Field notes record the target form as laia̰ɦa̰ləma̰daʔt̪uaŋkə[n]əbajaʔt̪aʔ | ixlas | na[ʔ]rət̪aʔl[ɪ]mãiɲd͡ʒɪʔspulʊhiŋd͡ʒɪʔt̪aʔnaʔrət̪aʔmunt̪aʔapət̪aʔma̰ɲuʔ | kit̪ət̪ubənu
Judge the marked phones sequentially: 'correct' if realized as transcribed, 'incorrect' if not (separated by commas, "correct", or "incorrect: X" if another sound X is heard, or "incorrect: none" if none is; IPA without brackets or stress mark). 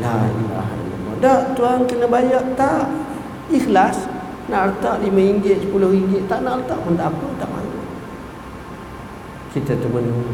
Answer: correct, correct, incorrect: i